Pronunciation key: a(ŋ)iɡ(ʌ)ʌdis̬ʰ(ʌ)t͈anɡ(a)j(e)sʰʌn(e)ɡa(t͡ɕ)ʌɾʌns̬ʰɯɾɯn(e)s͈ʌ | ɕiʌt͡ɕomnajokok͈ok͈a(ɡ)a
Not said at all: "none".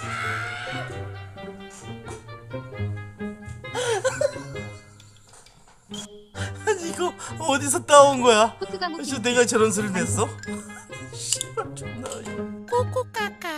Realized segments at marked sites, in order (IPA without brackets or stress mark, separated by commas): ɲ, ʌ, ʌ, ʌ, a, e, t͡ɕ, e, k